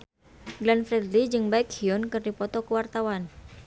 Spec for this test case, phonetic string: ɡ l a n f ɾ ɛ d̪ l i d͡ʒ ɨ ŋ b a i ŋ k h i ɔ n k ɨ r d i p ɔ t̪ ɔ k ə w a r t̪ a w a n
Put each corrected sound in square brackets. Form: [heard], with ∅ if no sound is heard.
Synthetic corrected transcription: ɡ l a n f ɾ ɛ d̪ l i d͡ʒ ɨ ŋ b a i [∅] k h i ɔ n k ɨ r d i p ɔ t̪ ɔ k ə w a r t̪ a w a n